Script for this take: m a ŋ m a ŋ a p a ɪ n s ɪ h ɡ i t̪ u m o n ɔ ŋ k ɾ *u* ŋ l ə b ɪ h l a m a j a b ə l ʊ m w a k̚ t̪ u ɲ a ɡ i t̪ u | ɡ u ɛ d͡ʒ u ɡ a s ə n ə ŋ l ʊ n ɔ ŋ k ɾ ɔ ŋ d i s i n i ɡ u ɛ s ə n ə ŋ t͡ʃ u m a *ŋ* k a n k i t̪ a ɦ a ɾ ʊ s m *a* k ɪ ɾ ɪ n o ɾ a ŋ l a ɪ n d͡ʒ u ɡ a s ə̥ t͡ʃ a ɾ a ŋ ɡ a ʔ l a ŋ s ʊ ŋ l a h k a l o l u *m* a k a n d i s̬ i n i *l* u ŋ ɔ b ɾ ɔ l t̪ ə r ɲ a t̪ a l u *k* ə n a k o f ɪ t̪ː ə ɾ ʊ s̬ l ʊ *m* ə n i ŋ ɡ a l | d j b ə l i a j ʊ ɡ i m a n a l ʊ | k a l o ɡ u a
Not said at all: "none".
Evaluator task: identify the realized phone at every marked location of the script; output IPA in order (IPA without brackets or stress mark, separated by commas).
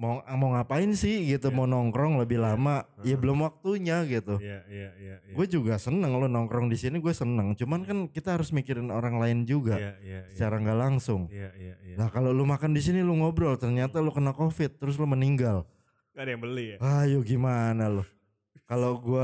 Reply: ɔ, n, i, m, l, k, m